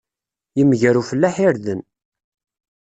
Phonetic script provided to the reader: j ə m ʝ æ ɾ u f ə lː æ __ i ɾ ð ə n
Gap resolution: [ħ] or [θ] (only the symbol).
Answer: ħ